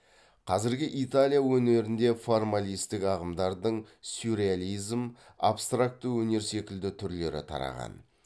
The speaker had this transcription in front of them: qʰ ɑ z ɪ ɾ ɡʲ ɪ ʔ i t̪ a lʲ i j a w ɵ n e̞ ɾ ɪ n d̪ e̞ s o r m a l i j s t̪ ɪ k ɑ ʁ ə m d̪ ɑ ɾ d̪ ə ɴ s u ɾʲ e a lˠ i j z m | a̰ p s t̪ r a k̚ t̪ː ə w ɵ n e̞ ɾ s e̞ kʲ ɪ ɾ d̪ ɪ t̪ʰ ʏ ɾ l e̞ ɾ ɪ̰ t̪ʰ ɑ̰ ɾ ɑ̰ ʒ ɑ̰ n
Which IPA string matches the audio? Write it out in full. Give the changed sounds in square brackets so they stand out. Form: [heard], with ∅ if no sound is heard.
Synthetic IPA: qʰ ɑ z ɪ ɾ ɡʲ ɪ ʔ i t̪ a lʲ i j a w ɵ n e̞ ɾ ɪ n d̪ e̞ [f] o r m a l i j s t̪ ɪ k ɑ ʁ ə m d̪ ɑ ɾ d̪ ə ɴ s u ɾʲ e a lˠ i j z m | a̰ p s t̪ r a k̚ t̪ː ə w ɵ n e̞ ɾ s e̞ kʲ ɪ [l] d̪ ɪ t̪ʰ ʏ ɾ l e̞ ɾ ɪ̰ t̪ʰ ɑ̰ ɾ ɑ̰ [ʁ] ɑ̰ n